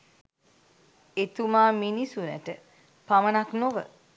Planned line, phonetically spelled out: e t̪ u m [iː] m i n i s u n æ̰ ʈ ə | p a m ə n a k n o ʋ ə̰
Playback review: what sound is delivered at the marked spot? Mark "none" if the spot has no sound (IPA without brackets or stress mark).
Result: aː